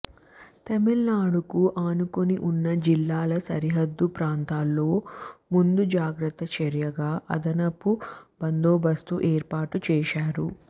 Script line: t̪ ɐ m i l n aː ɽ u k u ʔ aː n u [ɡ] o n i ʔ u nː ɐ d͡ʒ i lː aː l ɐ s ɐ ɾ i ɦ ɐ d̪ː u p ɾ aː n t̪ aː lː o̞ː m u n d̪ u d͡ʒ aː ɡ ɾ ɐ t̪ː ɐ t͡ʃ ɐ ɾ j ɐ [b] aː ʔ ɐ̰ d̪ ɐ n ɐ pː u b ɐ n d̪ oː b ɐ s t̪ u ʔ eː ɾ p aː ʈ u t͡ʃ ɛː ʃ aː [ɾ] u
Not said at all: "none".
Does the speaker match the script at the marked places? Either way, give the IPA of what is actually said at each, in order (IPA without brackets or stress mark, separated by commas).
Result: k, ɡ, ɾ